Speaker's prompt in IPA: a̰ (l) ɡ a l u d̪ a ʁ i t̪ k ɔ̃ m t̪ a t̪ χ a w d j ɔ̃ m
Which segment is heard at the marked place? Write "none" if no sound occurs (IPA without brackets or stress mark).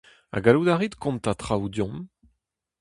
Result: none